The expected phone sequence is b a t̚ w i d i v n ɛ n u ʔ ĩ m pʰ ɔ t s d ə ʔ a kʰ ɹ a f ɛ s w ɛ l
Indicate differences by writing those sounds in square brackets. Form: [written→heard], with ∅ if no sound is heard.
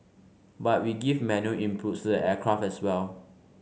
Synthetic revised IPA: b a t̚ w i [d→ɡ] i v [n→m] ɛ n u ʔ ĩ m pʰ [ɔ→u] t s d ə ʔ [a→ɛ] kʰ ɹ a f ɛ s w ɛ l